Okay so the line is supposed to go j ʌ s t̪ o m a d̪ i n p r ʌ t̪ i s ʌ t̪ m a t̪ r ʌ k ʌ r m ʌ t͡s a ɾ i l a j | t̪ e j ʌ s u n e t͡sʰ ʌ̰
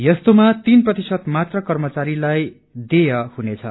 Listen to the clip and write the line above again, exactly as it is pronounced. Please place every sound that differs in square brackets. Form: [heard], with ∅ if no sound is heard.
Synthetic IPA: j ʌ s t̪ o m a [t̪] i n p r ʌ t̪ i s ʌ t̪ m a t̪ r ʌ k ʌ r m ʌ t͡s a ɾ i l a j | [d̪] e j ʌ [h] u n e t͡sʰ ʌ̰

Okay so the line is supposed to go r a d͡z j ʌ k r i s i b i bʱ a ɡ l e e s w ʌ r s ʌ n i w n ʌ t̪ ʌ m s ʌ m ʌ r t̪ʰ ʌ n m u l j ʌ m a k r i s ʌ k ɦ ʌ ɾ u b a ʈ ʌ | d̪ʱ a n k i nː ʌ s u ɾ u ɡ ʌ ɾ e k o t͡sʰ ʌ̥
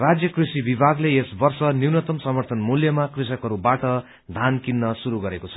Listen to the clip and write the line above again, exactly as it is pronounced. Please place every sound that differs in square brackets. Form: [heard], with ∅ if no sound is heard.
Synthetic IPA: r a d͡z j ʌ k r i s i b i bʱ a ɡ l e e s [b] ʌ r s ʌ n i w n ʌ t̪ ʌ m s ʌ m ʌ r t̪ʰ ʌ n m u l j ʌ m a k r i s ʌ k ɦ ʌ ɾ u b a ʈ ʌ | d̪ʱ a n k i nː ʌ s u ɾ u ɡ ʌ ɾ e k o t͡sʰ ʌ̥

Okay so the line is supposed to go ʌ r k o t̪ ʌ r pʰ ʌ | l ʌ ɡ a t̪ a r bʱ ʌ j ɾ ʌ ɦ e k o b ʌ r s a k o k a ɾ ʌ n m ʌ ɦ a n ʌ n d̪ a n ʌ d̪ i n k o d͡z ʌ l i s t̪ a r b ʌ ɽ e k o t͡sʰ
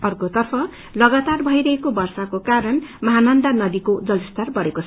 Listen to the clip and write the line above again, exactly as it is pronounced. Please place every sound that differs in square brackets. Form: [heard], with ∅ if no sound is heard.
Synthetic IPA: ʌ r k o t̪ ʌ r pʰ ʌ | l ʌ ɡ a t̪ a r bʱ ʌ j ɾ ʌ ɦ e k o b ʌ r s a k o k a ɾ ʌ n m ʌ ɦ a n ʌ n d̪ a n ʌ d̪ i [∅] k o d͡z ʌ l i s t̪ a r b ʌ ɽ e k o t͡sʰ

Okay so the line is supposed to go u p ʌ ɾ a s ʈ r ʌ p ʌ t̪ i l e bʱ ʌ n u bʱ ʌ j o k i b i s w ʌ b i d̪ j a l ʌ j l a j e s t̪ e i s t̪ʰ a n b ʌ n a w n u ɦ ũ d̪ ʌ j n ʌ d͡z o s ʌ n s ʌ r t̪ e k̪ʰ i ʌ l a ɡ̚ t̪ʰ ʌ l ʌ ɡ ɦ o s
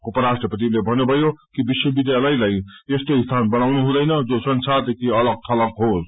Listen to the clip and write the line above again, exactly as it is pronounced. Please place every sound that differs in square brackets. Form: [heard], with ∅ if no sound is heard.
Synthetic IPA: u p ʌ ɾ a s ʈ r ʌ p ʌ t̪ i l e bʱ ʌ n u bʱ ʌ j o k i b i s w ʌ b i d̪ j a l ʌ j l a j e s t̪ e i s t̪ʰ a n b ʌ n a w n u ɦ ũ d̪ ʌ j n ʌ d͡z o s ʌ n s [a] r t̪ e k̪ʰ i ʌ l [ʌ] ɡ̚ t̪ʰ ʌ l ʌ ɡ ɦ o s

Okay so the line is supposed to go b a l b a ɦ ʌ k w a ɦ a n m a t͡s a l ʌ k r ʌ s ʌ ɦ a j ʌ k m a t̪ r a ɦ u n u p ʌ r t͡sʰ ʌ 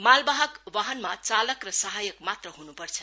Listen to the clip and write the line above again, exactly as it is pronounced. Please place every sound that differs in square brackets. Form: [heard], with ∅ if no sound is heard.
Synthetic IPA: [m] a l b a ɦ ʌ k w a ɦ [ʌ] n m a t͡s a l ʌ k r ʌ s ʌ ɦ a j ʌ k m a t̪ r [ʌ] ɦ u n u p ʌ r t͡sʰ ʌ

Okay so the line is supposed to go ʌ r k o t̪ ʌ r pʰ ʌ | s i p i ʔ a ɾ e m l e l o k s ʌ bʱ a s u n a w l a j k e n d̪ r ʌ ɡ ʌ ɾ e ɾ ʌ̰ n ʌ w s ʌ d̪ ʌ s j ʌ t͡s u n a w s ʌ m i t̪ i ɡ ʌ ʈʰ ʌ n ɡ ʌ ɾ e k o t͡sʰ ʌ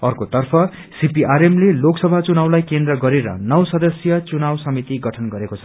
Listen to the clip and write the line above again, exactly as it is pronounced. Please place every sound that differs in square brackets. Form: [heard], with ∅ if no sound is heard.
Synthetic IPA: ʌ r k o t̪ ʌ r pʰ ʌ | s i p i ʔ a ɾ e m l e l o k s ʌ bʱ a [t͡s] u n a w l a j k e n d̪ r ʌ ɡ ʌ ɾ e ɾ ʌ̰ n ʌ w s ʌ d̪ ʌ s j ʌ t͡s u n a w s ʌ m i t̪ i ɡ ʌ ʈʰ ʌ n ɡ ʌ ɾ e k o t͡sʰ ʌ

